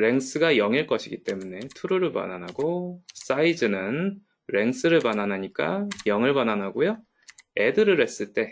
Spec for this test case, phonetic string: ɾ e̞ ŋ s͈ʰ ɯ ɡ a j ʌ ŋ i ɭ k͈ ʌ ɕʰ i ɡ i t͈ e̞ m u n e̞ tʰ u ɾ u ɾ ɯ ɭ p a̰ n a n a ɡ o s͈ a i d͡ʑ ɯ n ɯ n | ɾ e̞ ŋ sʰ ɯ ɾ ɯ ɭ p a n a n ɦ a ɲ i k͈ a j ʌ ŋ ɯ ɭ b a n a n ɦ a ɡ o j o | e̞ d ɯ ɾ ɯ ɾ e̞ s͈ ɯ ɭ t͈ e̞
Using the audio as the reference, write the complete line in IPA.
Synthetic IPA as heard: ɾ e̞ ŋ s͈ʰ ɯ ɡ a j ʌ ŋ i ɭ k͈ ʌ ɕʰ i ɡ i t͈ e̞ m u n e̞ tʰ u ɾ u ɾ ɯ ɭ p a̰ n a n a ɡ o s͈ a i d͡ʑ ɯ n ɯ n | ɾ e̞ ŋ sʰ ɯ ɾ ɯ ɭ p a n a n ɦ a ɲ i k͈ a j ʌ ŋ ɯ ɭ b a n a n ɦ a ɡ o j o | e̞ d ɯ ɾ ɯ ɾ e̞ s͈ ɯ ɭ t͈ e̞